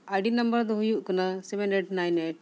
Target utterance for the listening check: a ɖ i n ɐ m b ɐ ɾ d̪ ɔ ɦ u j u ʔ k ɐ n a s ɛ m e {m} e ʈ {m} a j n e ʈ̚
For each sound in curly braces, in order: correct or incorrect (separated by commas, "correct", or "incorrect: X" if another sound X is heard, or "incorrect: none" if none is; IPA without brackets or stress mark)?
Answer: incorrect: n, incorrect: n